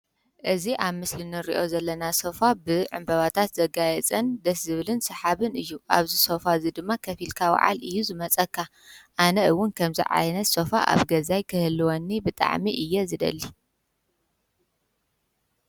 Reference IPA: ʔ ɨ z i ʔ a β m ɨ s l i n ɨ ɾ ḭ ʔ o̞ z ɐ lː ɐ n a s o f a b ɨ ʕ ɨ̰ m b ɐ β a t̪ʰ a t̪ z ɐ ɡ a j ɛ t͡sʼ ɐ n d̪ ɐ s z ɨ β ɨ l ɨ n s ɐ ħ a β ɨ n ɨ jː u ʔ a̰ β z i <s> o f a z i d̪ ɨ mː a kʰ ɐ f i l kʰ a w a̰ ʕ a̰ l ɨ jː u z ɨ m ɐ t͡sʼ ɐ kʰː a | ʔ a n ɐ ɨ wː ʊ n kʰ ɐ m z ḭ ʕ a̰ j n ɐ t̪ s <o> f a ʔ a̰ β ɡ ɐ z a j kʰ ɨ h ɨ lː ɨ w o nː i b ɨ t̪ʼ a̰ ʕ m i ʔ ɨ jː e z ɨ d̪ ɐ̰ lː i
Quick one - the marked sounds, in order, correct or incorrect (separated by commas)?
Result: correct, correct